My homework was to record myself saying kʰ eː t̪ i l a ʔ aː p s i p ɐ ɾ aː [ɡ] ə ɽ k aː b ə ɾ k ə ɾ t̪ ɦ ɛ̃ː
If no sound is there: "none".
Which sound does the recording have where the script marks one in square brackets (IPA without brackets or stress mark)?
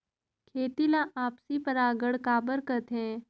ɡ